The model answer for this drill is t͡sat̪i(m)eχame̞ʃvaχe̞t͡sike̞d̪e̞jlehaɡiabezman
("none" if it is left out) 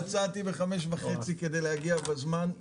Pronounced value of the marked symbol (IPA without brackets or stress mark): b